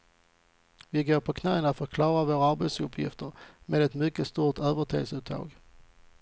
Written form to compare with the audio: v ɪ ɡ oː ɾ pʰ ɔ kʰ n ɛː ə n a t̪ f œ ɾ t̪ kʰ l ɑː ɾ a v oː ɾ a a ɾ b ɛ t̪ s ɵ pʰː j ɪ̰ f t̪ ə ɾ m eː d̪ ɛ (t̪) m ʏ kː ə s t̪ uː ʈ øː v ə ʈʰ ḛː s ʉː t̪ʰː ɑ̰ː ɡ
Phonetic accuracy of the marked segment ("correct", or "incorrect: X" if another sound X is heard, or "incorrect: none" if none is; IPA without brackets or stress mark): correct